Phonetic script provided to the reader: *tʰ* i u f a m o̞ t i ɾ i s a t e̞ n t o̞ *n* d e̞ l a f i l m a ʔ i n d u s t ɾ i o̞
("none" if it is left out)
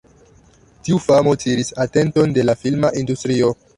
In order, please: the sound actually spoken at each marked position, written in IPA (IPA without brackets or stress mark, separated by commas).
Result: t, n